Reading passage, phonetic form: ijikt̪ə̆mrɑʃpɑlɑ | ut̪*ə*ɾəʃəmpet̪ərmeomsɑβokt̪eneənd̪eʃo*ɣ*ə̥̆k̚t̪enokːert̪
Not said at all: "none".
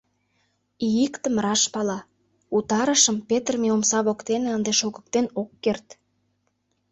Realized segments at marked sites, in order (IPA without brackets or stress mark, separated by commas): ɑ, ɣ